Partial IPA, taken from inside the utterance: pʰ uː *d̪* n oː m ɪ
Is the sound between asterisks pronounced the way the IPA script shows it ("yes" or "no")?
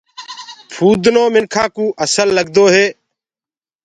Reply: yes